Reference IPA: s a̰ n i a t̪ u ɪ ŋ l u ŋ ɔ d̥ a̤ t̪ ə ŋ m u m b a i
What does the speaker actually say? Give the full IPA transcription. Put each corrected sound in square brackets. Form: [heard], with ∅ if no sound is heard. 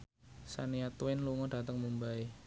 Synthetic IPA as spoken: s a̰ n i a t̪ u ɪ [n] l u ŋ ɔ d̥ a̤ t̪ ə ŋ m u m b a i